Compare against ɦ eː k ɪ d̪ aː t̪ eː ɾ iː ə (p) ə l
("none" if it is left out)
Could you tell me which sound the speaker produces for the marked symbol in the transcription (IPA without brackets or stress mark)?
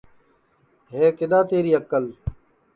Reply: k